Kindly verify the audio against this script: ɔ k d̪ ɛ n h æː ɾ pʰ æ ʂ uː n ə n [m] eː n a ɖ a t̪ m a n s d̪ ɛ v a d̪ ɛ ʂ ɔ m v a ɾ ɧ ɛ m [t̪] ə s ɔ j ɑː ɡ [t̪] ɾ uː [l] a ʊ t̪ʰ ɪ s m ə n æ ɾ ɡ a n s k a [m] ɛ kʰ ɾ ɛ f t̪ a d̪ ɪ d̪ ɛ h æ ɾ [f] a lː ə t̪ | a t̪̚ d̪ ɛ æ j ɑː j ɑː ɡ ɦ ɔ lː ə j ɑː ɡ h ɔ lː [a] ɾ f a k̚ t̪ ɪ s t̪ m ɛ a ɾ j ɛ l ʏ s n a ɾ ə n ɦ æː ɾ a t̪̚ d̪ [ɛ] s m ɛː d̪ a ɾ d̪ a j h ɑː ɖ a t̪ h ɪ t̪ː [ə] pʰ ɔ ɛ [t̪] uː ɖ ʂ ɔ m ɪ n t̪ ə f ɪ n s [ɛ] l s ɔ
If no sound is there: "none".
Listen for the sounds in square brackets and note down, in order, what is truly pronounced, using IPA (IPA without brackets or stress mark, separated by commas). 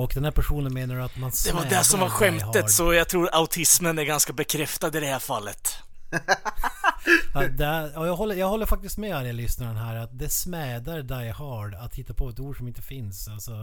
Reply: m, t̪, t̪ʰ, ɾ, b, f, ə, ɛ, a, t̪, a